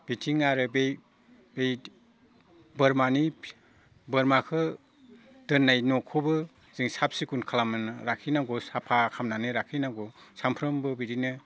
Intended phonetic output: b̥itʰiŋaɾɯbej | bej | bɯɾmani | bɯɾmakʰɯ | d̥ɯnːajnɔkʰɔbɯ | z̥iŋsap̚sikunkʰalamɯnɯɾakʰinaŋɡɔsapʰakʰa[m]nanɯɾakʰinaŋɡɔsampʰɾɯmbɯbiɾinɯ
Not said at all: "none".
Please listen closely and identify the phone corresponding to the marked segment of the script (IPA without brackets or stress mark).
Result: m